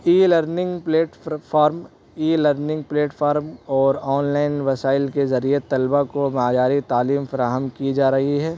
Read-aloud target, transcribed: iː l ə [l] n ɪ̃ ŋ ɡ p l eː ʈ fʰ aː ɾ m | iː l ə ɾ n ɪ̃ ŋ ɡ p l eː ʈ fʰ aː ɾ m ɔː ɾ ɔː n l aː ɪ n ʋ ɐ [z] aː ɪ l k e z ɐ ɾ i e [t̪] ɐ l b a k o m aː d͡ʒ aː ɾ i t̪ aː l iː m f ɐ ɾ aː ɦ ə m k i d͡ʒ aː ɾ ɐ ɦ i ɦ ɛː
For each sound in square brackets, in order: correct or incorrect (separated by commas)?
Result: incorrect, incorrect, correct